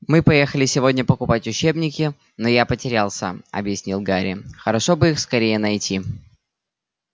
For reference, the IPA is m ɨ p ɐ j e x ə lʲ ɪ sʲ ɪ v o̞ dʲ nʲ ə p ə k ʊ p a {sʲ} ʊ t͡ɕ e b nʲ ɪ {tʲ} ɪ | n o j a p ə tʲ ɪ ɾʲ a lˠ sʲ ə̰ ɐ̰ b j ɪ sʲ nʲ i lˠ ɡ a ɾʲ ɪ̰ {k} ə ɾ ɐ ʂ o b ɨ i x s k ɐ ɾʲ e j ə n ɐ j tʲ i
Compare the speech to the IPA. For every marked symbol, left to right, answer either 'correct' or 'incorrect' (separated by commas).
incorrect, incorrect, incorrect